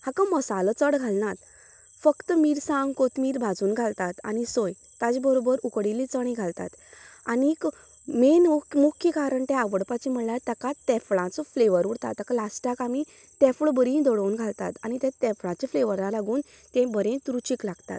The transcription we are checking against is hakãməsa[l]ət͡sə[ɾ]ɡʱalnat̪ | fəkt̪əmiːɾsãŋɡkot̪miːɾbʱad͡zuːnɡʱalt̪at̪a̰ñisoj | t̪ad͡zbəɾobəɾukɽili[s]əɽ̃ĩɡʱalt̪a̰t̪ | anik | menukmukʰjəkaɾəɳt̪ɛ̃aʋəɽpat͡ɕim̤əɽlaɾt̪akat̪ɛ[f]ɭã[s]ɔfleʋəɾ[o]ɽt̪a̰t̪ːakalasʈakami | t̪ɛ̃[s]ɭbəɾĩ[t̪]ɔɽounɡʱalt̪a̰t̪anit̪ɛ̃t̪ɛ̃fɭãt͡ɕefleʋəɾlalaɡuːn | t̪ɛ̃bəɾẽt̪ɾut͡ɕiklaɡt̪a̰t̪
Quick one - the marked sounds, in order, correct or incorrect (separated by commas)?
correct, incorrect, incorrect, correct, incorrect, incorrect, incorrect, incorrect